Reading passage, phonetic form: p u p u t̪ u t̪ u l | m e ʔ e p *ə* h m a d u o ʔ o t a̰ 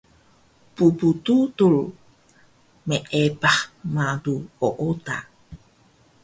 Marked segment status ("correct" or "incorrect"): incorrect